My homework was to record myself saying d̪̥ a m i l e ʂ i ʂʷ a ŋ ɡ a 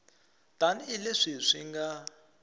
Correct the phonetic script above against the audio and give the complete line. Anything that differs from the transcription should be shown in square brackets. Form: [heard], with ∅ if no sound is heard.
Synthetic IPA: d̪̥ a [n] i l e ʂ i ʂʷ [i] ŋ ɡ a